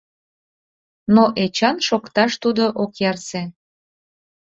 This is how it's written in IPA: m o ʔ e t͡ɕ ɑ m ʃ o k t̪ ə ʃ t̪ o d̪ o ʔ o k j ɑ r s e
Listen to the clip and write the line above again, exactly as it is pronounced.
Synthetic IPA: n o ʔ e t͡ɕ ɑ n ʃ o k t̪ ɑ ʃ t̪ u d̪ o ʔ o k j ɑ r s e